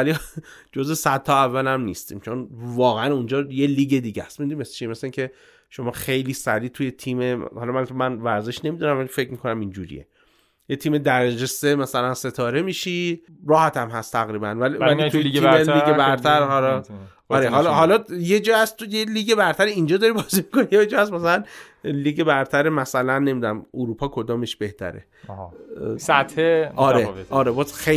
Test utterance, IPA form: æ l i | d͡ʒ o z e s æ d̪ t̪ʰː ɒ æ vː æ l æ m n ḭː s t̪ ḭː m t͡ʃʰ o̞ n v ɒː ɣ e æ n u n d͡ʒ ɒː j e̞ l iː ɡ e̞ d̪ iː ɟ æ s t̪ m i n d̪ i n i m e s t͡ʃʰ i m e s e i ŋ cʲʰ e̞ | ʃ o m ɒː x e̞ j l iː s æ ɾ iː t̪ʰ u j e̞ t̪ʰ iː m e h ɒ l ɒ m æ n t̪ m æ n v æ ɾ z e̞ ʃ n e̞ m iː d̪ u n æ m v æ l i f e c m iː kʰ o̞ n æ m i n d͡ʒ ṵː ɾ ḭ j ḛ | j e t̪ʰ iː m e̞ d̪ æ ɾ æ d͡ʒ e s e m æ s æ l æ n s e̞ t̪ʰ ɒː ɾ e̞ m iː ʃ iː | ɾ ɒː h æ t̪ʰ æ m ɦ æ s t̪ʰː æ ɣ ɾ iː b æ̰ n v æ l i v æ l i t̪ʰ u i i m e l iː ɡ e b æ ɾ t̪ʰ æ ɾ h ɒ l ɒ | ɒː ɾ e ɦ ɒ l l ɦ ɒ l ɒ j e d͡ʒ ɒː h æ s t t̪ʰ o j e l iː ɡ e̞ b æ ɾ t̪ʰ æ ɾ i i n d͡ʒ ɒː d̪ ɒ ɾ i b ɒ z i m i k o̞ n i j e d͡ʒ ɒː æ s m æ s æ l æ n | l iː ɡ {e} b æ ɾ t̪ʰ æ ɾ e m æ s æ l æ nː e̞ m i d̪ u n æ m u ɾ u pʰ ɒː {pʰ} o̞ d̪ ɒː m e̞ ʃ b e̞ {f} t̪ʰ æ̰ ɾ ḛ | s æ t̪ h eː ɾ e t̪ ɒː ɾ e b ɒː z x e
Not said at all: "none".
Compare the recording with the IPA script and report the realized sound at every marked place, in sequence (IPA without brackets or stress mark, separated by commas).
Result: e, kʰ, h